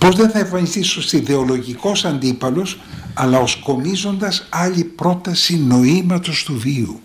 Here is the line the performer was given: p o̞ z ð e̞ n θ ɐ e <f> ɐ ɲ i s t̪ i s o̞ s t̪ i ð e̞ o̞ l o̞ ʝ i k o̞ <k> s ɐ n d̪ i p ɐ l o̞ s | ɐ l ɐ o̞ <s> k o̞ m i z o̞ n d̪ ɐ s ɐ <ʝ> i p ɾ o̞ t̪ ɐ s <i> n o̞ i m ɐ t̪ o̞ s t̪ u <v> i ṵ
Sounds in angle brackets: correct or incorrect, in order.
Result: correct, incorrect: none, correct, incorrect: ʎ, correct, correct

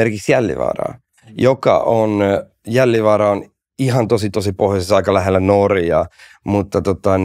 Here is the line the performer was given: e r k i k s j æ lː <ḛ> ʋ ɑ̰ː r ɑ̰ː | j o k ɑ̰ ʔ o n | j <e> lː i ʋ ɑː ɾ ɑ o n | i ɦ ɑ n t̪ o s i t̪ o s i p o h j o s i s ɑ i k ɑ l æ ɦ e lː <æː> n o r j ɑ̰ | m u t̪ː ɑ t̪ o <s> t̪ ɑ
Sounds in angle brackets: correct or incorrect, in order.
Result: incorrect: ḭ, incorrect: æ, incorrect: æ, incorrect: none

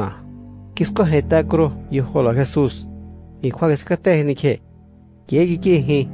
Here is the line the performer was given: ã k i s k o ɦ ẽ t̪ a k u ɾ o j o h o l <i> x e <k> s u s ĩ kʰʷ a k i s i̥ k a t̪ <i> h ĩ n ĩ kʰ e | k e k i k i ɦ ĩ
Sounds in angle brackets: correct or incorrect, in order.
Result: incorrect: a, incorrect: none, incorrect: e

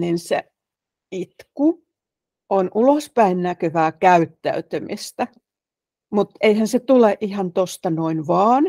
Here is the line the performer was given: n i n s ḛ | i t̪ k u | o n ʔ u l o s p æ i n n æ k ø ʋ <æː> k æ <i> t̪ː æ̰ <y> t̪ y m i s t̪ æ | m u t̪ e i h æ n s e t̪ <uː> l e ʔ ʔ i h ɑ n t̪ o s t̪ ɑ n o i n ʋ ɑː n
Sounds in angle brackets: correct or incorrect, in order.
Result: correct, incorrect: y, correct, incorrect: u

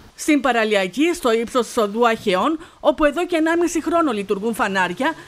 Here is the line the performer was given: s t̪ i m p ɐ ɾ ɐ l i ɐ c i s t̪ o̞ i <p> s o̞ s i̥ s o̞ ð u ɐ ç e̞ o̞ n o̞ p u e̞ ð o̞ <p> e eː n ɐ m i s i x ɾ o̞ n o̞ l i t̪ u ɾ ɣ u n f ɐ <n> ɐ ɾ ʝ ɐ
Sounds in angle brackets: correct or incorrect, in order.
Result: correct, incorrect: c, correct

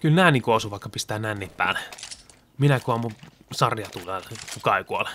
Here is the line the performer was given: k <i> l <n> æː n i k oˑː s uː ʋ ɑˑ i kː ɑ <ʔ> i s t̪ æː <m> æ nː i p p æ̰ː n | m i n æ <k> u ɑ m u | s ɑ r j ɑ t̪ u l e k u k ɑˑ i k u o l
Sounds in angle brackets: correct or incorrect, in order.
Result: incorrect: y, correct, incorrect: p, incorrect: n, correct

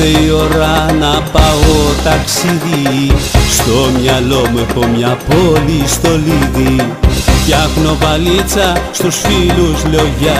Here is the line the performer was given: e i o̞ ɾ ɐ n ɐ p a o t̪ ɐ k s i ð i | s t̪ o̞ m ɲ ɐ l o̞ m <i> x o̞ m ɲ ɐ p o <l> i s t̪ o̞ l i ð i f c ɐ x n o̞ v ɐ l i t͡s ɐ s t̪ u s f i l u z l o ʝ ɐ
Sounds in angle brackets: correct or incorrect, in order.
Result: incorrect: e, correct

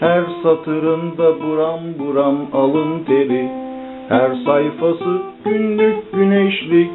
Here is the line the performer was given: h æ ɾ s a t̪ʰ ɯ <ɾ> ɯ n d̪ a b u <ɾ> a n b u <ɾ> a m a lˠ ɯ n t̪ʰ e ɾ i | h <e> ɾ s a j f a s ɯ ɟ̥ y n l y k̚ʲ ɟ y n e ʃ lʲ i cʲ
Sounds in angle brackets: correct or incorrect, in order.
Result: correct, correct, correct, incorrect: æ

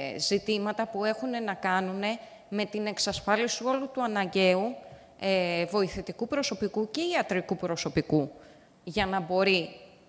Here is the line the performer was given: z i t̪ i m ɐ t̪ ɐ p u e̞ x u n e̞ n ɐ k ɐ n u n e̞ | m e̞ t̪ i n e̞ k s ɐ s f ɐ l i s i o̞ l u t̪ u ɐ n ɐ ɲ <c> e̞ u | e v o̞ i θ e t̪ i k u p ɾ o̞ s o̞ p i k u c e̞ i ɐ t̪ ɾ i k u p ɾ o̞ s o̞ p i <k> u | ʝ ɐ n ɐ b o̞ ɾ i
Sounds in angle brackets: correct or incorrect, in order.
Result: incorrect: ɟ, correct

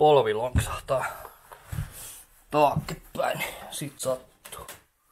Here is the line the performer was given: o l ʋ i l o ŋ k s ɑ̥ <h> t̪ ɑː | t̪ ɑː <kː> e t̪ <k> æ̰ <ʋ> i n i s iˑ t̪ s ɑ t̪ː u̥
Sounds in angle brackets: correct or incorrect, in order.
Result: correct, correct, incorrect: p, incorrect: none

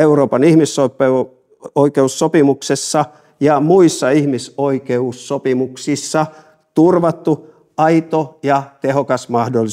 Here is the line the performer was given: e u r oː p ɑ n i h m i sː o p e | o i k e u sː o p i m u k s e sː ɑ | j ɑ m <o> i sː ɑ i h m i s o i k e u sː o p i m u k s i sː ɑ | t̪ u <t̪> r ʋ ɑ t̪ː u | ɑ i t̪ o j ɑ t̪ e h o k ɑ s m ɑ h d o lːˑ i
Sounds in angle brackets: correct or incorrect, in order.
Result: incorrect: u, incorrect: none

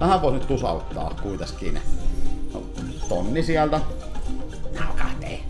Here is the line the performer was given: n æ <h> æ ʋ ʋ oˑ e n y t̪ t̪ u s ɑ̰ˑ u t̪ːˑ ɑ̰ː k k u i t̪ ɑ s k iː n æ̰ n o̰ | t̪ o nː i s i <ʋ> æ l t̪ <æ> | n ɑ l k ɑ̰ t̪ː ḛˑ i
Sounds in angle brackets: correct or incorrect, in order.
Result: correct, incorrect: none, correct

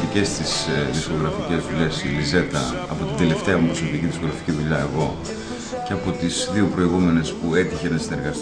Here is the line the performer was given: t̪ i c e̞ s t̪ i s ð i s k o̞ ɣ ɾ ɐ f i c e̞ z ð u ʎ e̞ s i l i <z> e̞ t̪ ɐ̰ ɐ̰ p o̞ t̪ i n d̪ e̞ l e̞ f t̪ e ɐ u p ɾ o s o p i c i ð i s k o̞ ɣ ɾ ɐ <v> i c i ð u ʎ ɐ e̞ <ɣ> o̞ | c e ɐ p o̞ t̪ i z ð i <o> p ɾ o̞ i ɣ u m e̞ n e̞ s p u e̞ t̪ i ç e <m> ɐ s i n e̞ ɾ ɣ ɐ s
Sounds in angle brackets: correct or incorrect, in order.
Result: correct, incorrect: f, correct, incorrect: u, incorrect: n

